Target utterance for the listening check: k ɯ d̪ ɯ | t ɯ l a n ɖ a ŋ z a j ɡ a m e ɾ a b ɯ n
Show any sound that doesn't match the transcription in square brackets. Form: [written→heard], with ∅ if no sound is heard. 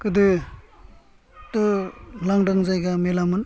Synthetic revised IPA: k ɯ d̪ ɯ | t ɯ l a [n→ŋ] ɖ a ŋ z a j ɡ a m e [ɾ→l] a [b→m] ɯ n